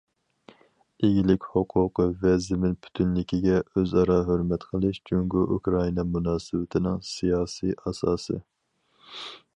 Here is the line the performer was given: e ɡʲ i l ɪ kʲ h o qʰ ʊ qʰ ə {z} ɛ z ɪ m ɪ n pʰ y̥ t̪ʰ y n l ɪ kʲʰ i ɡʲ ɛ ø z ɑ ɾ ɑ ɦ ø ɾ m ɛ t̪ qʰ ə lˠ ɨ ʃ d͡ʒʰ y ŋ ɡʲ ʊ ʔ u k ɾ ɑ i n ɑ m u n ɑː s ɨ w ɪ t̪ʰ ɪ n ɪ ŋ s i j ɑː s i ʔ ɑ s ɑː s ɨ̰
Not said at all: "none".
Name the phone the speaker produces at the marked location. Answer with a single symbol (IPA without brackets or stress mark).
v